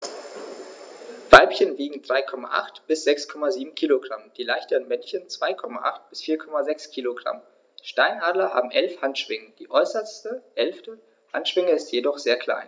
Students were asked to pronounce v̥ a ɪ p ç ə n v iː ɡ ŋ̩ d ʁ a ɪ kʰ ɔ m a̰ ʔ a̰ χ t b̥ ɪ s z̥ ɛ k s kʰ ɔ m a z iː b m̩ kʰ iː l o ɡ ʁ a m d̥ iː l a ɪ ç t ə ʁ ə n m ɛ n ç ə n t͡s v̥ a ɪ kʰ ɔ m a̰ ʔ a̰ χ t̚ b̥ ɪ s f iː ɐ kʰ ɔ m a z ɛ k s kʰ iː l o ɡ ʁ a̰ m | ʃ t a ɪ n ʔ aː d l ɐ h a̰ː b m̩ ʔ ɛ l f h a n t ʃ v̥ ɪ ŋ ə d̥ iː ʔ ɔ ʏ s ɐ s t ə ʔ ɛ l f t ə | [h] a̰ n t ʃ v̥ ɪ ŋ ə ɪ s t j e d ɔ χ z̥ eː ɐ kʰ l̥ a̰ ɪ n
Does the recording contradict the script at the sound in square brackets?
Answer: no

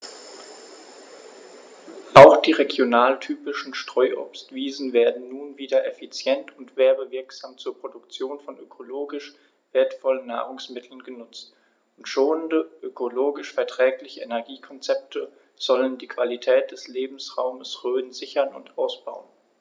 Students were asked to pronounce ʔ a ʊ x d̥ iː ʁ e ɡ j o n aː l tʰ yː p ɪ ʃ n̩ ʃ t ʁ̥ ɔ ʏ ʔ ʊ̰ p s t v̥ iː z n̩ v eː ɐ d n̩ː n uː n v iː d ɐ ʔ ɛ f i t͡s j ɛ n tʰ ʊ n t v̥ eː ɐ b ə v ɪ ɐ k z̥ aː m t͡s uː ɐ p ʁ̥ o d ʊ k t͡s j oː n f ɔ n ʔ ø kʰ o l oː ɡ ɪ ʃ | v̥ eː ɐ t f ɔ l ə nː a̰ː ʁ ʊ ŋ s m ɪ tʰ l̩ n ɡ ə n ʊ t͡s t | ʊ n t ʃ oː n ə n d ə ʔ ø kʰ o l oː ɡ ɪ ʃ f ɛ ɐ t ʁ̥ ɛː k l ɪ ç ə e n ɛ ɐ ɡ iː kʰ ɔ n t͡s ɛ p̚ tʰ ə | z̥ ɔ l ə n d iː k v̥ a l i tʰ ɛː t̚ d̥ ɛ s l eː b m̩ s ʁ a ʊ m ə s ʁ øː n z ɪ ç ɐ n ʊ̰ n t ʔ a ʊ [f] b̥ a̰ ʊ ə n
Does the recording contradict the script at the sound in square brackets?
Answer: yes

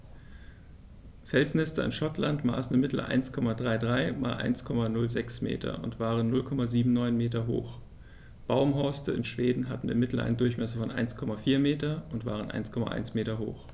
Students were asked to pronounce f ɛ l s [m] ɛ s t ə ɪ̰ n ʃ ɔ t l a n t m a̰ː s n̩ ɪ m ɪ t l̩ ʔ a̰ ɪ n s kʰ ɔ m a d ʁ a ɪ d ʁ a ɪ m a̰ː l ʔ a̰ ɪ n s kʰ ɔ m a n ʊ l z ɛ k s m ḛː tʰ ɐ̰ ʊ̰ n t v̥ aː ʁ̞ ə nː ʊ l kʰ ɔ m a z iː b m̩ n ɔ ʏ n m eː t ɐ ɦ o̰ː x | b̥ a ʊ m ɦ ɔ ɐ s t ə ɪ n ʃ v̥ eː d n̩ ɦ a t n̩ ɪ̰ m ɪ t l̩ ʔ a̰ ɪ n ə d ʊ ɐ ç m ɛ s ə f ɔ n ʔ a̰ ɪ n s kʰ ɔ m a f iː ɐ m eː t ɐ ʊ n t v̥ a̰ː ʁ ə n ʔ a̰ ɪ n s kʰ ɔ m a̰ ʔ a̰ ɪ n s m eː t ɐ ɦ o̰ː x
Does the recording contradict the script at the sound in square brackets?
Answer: yes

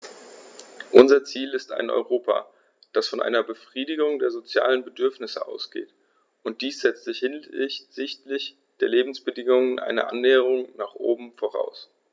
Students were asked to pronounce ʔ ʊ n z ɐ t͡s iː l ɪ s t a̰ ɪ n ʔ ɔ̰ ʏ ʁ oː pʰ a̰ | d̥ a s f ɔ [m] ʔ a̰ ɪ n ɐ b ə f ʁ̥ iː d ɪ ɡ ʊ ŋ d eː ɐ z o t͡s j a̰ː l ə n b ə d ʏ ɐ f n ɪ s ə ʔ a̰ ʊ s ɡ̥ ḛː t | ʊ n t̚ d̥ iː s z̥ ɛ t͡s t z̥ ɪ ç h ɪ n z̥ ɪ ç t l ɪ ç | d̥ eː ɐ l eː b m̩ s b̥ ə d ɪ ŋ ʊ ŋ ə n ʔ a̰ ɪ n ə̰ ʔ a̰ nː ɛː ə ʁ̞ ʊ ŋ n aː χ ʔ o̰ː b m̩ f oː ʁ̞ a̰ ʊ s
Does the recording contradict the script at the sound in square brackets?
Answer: yes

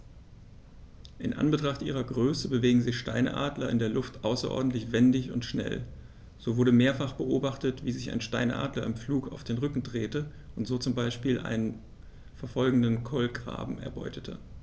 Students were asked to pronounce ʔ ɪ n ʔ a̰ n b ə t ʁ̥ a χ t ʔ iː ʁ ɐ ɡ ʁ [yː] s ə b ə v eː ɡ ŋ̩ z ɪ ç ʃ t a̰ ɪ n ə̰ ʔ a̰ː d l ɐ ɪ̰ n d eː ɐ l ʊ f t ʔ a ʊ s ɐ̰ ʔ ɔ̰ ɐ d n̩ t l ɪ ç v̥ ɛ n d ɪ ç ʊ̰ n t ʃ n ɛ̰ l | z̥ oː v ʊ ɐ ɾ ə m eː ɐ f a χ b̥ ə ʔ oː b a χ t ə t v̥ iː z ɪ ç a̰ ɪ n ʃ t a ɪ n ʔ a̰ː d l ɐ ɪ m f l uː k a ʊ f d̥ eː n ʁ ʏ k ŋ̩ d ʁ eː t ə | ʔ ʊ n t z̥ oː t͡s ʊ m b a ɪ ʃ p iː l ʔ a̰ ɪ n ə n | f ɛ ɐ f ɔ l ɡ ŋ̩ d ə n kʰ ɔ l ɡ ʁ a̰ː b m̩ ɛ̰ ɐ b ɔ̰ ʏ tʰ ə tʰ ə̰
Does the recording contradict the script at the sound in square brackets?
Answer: yes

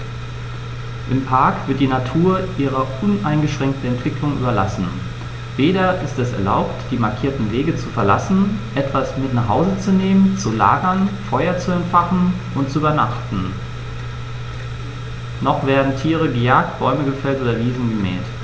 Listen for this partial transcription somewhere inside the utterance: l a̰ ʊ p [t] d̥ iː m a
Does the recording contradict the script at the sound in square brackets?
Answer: no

